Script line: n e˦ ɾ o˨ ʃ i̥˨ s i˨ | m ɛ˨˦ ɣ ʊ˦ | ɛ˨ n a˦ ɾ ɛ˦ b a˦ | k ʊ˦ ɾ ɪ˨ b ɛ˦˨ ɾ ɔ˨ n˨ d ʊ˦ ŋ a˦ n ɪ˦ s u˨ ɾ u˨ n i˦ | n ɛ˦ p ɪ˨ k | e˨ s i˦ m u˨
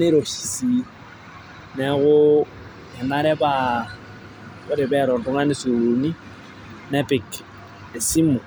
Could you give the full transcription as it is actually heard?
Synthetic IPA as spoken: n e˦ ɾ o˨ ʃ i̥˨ s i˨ | n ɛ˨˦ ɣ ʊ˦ | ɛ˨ n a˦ ɾ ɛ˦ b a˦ | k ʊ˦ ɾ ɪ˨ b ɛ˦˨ ɾ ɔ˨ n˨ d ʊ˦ ŋ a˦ n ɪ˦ s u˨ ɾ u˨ n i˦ | n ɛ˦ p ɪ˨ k | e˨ s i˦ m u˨